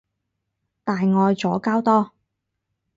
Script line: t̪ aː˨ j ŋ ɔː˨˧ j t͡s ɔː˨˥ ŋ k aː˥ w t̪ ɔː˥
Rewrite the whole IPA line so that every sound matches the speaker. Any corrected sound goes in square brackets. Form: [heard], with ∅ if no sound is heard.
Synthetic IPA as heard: t̪ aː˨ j ŋ ɔː˨˧ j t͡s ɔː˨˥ [∅] k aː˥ w t̪ ɔː˥